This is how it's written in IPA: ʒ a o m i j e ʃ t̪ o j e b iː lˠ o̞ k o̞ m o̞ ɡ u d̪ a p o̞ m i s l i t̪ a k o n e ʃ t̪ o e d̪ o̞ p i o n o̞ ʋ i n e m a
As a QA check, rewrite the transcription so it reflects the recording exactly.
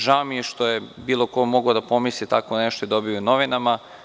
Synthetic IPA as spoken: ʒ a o m i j e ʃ t̪ o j e b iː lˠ o̞ k o̞ m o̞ ɡ o d̪ a p o̞ m i s l i t̪ a k o n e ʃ t̪ o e d̪ o̞ b i o n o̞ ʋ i n a m a